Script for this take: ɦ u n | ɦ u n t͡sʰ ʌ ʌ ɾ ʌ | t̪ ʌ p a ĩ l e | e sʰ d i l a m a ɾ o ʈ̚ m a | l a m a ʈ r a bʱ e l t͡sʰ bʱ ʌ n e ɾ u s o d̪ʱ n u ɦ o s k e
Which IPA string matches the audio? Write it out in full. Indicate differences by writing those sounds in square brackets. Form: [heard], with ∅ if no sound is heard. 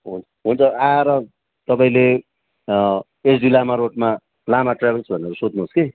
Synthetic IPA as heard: ɦ u n | ɦ u n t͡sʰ ʌ [a] ɾ ʌ | t̪ ʌ p a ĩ l e | e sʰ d i l a m a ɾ o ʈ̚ m a | l a m a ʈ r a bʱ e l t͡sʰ bʱ ʌ n e ɾ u s o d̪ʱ n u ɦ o s k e